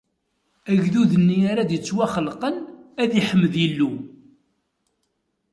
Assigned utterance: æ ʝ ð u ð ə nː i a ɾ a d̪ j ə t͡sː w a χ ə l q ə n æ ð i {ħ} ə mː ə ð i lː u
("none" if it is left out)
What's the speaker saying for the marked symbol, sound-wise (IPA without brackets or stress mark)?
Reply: ħ